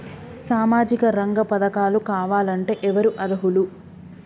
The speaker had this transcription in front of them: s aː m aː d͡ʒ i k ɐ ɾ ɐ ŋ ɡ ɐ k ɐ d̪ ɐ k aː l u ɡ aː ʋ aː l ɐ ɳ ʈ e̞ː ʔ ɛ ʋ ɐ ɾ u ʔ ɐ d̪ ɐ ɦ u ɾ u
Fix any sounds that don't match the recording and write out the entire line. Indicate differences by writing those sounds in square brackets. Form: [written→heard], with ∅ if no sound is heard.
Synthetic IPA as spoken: s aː m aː d͡ʒ i k ɐ ɾ ɐ ŋ ɡ ɐ [k→p] ɐ d̪ ɐ k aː l u [ɡ→k] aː ʋ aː l ɐ ɳ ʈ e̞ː ʔ ɛ ʋ ɐ ɾ u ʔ ɐ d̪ ɐ ɦ u [ɾ→l] u

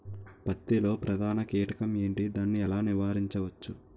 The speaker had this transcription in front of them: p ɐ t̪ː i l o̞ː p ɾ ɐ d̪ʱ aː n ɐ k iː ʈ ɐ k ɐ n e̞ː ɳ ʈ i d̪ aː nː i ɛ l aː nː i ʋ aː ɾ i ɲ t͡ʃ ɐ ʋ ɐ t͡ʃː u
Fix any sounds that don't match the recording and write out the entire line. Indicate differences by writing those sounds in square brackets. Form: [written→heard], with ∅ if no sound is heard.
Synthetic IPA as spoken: p ɐ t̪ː i l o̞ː p ɾ ɐ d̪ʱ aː n ɐ k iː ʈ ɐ k ɐ [n→m] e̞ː ɳ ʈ i d̪ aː nː i ɛ l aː [nː→n] i ʋ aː ɾ i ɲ t͡ʃ ɐ ʋ ɐ t͡ʃː u

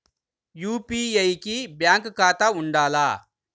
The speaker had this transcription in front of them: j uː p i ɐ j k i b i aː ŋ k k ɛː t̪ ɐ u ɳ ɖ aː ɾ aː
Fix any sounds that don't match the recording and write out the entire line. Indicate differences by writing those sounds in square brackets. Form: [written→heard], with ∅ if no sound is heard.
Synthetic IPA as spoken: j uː p i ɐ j k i b [i→j] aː ŋ k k [ɛː→aː] t̪ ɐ u ɳ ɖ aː [ɾ→l] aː

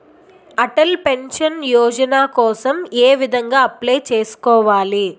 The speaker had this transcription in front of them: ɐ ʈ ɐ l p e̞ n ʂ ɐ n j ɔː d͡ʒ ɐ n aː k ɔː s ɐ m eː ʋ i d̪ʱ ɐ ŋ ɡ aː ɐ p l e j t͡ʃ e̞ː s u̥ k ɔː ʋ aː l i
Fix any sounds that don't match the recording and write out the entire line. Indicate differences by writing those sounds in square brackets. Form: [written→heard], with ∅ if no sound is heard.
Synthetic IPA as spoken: ɐ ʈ ɐ l p e̞ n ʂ ɐ n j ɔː d͡ʒ ɐ n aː k ɔː s ɐ m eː ʋ i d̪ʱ ɐ ŋ ɡ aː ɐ p l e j t͡ʃ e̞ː s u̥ k ɔː ʋ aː l i

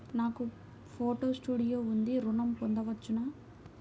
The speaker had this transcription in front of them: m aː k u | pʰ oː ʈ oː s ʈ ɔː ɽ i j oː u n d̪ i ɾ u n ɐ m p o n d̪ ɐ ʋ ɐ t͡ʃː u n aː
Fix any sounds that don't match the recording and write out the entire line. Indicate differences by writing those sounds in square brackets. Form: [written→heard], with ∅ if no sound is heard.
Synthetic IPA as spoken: [m→n] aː k u | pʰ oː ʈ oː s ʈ [ɔː→uː] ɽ i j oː u n d̪ i ɾ u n ɐ m p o n d̪ ɐ ʋ ɐ t͡ʃː u n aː

